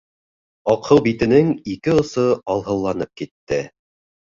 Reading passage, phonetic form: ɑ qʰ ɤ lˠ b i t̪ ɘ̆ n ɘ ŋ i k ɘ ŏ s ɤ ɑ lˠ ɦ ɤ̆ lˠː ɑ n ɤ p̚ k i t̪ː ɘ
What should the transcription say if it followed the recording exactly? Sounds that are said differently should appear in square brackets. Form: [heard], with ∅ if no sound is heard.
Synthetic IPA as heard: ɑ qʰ ɤ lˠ b i t̪ ɘ̆ n ɘ ŋ i k ɘ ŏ s ɤ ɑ lˠ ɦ ɤ̆ lˠː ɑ n ɤ p̚ k i t̪ː ɘ